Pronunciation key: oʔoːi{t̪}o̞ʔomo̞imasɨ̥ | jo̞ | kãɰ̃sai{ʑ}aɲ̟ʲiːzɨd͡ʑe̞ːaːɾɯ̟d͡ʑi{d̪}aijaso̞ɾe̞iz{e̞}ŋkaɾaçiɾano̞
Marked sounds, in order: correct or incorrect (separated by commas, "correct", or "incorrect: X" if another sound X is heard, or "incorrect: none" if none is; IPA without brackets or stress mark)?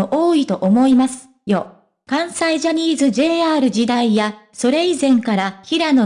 correct, correct, correct, incorrect: ẽ̞